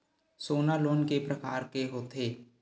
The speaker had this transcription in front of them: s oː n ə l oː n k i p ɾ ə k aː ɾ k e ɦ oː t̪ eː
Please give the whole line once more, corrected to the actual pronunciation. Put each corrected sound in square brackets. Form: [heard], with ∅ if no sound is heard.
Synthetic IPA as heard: s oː n [a] l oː n k [e] p ɾ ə k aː ɾ k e ɦ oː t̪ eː